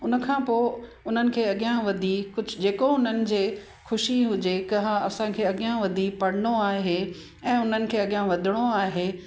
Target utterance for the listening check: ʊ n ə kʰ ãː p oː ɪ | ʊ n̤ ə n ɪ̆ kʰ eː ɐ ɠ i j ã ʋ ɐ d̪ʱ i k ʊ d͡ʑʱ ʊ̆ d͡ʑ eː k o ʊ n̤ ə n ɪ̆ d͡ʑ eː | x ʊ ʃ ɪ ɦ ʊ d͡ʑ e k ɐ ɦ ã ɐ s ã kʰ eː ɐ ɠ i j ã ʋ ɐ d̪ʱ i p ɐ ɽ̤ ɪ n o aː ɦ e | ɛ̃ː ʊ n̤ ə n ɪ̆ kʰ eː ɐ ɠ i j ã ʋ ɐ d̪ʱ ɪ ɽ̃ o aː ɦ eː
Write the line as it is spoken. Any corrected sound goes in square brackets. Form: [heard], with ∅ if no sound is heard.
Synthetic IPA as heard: ʊ n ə kʰ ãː p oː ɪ | ʊ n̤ ə n ɪ̆ kʰ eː ɐ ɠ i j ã ʋ ɐ d̪ʱ i k ʊ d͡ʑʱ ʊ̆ d͡ʑ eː k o ʊ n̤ ə n ɪ̆ d͡ʑ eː | x ʊ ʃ [i] ɦ ʊ d͡ʑ e k ɐ ɦ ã ɐ s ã kʰ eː ɐ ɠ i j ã ʋ ɐ d̪ʱ i p ɐ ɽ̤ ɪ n o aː ɦ e | ɛ̃ː ʊ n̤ ə n ɪ̆ kʰ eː ɐ ɠ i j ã ʋ ɐ d̪ʱ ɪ ɽ̃ o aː ɦ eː